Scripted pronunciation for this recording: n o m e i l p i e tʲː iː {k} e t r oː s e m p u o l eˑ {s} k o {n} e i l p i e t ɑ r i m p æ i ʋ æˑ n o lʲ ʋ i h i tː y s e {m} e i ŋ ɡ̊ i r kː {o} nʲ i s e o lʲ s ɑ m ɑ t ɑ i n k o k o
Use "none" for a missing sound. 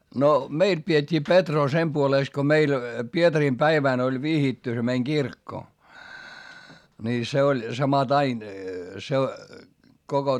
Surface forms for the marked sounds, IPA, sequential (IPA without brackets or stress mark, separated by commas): p, s, m, m, o